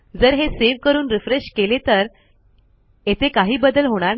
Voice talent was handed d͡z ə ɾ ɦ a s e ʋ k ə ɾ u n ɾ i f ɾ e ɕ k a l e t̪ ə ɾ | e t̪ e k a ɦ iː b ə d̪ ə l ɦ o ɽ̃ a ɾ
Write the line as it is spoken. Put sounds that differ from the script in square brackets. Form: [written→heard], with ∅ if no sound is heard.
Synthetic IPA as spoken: d͡z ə ɾ ɦ [a→e] s e ʋ k ə ɾ [u→uː] n ɾ i f ɾ e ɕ k [a→e] l e t̪ ə ɾ | e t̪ e k a ɦ iː b ə d̪ ə l ɦ o ɽ̃ a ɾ